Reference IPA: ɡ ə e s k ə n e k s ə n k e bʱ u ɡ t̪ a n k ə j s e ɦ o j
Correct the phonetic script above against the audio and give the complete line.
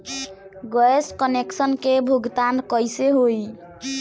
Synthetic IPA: ɡ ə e s k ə n e k s ə n k e bʱ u ɡ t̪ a n k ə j s e ɦ o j